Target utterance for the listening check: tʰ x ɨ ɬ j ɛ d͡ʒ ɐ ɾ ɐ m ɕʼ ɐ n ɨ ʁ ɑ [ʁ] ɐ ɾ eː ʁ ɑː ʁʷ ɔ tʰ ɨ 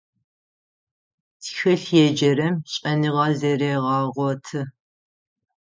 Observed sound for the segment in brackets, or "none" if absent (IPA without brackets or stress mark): z